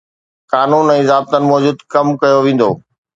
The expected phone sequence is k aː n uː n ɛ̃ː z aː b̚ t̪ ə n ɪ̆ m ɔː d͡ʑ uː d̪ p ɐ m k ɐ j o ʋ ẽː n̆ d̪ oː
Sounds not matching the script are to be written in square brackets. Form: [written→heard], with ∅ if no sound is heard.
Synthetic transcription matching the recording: k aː n uː n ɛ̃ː z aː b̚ t̪ ə n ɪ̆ m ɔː d͡ʑ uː d̪ [p→k] ɐ m k ɐ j o ʋ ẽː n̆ d̪ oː